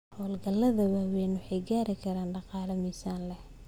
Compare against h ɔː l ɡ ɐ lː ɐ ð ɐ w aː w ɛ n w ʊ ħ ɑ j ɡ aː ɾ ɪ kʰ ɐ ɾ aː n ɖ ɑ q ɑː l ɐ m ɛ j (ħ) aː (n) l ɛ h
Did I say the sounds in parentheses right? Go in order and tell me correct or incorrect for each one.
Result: incorrect: s, correct

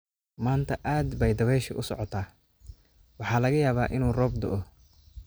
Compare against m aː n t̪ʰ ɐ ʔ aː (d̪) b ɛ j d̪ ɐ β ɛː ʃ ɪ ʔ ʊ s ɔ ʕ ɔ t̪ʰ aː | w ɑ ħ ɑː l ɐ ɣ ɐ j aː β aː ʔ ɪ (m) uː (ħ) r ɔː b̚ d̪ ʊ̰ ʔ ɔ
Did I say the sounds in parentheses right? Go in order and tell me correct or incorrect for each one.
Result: correct, incorrect: n, incorrect: none

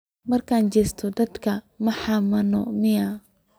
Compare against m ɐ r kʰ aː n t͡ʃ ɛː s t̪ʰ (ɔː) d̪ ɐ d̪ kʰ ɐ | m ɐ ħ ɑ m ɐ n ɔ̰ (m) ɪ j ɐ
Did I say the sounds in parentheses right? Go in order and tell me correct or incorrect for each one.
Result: incorrect: ɔ, correct

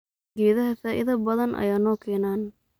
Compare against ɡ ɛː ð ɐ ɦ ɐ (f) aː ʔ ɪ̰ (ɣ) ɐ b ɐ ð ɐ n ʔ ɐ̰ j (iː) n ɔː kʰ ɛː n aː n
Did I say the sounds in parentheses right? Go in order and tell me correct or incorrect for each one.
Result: correct, incorrect: ð, incorrect: aː

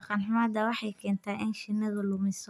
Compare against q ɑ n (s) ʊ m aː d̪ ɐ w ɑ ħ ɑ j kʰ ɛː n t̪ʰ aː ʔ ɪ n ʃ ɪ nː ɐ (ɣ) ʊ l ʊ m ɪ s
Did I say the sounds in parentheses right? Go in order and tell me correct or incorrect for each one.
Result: incorrect: ħ, incorrect: ð

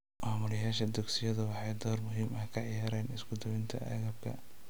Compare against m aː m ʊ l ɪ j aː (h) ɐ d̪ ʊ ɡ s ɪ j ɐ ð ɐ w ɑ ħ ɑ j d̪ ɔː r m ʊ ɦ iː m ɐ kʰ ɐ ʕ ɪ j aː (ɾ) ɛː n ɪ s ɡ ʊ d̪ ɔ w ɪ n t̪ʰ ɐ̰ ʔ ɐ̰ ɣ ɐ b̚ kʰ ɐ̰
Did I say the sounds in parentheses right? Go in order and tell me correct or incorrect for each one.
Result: incorrect: ʃ, correct

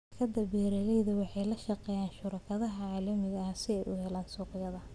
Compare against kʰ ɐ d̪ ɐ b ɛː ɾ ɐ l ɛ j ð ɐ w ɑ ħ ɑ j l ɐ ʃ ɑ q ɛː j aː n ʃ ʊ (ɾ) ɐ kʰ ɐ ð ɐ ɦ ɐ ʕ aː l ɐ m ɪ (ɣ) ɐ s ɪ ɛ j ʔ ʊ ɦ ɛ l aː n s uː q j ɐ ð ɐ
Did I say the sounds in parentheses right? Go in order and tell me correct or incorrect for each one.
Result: correct, correct

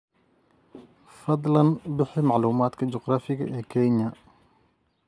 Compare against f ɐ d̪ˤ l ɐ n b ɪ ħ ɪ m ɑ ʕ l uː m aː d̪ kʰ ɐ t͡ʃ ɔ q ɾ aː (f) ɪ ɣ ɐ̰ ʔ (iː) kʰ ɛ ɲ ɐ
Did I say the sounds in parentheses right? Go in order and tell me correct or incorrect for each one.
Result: correct, incorrect: ɛː

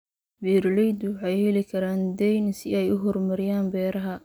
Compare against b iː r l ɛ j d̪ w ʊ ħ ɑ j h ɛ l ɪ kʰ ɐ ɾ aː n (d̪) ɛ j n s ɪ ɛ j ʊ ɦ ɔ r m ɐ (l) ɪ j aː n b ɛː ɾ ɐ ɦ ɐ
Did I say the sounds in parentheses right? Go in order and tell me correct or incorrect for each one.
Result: correct, incorrect: ɾ

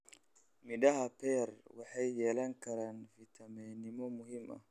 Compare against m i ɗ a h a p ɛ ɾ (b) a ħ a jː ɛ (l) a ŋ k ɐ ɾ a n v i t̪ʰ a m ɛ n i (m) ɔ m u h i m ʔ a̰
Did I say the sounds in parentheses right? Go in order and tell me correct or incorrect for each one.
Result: incorrect: w, correct, correct

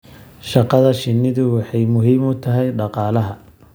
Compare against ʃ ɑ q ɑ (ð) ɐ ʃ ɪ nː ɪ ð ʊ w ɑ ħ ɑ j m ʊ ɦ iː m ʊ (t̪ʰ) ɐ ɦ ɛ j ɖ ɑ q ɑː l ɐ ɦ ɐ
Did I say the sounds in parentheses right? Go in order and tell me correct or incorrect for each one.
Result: correct, correct

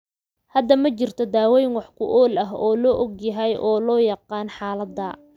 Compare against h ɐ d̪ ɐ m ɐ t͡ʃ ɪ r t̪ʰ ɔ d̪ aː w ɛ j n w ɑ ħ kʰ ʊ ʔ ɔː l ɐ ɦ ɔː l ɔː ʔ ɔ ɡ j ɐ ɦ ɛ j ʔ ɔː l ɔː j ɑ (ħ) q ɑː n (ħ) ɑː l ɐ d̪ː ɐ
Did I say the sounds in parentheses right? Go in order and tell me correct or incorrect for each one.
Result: incorrect: none, correct

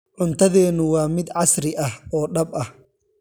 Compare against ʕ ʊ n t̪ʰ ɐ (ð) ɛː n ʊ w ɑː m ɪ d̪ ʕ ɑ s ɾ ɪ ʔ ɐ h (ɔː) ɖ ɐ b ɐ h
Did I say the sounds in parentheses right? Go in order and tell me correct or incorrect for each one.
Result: correct, correct

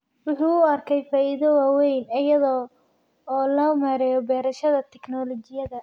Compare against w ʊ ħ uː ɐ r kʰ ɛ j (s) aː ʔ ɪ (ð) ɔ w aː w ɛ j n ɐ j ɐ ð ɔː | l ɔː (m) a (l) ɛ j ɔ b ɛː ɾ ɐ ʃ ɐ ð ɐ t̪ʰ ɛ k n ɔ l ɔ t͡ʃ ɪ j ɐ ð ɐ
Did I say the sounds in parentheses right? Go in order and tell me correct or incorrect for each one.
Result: incorrect: f, correct, correct, incorrect: ɾ

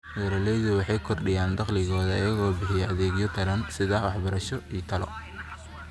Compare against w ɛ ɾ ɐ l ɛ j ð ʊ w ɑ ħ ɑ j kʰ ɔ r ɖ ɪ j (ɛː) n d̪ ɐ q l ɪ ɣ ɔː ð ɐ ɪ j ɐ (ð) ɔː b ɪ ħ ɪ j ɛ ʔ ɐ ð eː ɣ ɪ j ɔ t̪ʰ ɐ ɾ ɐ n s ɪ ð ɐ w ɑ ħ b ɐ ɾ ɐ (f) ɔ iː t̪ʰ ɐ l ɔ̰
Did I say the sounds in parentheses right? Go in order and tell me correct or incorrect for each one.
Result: incorrect: aː, incorrect: ɣ, incorrect: ʃ

